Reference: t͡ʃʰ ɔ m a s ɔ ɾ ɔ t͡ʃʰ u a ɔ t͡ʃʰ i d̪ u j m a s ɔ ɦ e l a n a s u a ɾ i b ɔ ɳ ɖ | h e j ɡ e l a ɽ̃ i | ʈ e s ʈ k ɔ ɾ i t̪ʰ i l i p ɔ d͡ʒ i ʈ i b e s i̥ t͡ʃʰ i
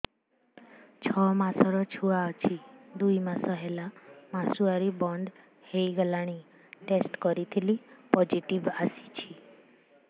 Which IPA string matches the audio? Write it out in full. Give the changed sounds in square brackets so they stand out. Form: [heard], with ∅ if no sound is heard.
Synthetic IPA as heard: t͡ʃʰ ɔ m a s ɔ ɾ ɔ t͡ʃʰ u a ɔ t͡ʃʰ i d̪ u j m a s ɔ ɦ e l a [m] a s u a ɾ i b ɔ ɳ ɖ | h e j ɡ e l a ɽ̃ i | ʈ e s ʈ k ɔ ɾ i t̪ʰ i l i p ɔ d͡ʒ i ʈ i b [a] s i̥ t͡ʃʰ i